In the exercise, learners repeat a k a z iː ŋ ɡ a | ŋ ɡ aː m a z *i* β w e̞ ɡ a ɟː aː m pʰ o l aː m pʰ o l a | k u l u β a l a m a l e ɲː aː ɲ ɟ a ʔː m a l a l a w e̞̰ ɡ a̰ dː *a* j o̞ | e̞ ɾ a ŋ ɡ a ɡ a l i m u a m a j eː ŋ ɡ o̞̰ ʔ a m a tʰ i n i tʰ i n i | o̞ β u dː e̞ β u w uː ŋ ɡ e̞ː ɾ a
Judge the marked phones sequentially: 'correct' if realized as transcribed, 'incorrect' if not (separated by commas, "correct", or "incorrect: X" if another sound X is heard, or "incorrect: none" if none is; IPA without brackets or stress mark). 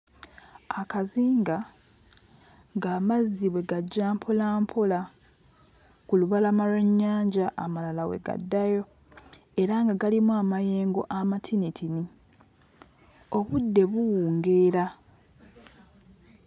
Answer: correct, correct